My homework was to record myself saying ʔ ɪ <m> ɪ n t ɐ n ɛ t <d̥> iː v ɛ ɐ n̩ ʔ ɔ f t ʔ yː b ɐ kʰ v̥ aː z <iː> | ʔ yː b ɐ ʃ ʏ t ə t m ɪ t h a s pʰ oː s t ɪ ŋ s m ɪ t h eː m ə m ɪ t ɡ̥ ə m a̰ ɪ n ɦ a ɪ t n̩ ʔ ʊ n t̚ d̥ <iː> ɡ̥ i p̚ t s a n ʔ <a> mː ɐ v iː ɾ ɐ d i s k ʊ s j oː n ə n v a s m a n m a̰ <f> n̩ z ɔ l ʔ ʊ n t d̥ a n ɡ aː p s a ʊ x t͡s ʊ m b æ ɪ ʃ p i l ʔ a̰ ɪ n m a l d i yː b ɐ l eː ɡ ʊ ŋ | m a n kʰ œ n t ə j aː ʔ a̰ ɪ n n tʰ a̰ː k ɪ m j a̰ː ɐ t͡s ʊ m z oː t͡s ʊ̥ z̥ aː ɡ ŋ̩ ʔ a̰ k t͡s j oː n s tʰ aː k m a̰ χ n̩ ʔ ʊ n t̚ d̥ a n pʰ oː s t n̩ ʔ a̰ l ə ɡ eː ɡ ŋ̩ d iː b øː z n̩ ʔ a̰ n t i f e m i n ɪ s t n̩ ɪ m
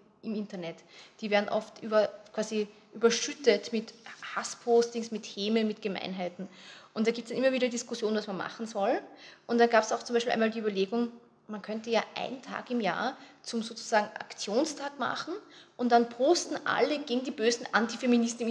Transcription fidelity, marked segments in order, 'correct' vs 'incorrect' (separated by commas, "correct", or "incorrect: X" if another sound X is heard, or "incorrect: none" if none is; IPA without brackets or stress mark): correct, correct, incorrect: i, incorrect: aː, incorrect: i, incorrect: χ